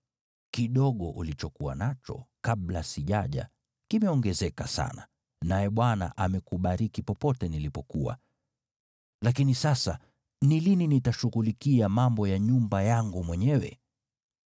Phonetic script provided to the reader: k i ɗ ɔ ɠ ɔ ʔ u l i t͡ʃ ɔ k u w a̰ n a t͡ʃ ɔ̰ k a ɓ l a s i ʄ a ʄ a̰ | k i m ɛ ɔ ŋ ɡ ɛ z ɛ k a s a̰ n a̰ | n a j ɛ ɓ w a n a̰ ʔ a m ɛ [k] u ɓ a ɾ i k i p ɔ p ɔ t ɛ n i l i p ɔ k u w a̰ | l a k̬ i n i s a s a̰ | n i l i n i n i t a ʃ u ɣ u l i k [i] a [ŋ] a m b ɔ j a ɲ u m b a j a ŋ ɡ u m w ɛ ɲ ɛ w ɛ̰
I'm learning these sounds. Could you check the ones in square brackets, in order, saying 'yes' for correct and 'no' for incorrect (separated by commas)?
yes, yes, no